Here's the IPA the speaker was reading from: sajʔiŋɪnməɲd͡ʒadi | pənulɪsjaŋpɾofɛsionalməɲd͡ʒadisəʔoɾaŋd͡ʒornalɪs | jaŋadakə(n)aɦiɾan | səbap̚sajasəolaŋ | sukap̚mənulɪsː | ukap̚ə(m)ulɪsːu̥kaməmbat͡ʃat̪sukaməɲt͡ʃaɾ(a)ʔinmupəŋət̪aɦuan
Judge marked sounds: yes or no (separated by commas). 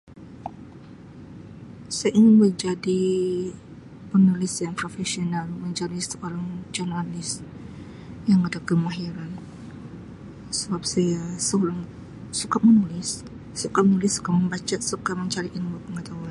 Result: no, no, no